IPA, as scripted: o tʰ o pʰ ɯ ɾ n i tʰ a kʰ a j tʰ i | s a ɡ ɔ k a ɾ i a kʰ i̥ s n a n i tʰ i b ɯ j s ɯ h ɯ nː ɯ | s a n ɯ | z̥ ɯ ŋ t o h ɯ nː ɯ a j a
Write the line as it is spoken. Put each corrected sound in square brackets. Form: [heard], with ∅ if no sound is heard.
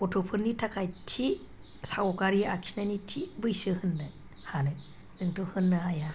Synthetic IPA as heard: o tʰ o pʰ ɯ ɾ n i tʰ a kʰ a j tʰ i | s a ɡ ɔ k a ɾ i a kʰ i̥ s n a n i tʰ i b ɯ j s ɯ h ɯ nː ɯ | [h] a n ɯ | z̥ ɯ ŋ t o h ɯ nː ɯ a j a